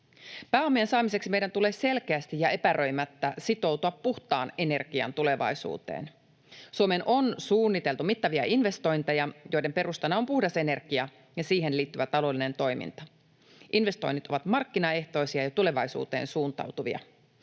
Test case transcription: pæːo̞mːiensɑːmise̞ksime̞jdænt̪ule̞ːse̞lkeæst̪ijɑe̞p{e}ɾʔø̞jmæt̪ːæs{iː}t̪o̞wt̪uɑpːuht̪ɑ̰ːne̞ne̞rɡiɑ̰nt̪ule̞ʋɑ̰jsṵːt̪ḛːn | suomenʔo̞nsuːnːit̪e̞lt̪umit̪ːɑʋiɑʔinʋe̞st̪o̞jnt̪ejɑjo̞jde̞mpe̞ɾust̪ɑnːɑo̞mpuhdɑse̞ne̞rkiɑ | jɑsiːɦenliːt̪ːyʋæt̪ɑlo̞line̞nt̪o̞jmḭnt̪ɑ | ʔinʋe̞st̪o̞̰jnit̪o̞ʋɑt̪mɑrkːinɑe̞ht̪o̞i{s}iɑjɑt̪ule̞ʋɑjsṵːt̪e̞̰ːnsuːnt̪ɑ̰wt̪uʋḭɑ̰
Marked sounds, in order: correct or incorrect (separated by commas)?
incorrect, incorrect, correct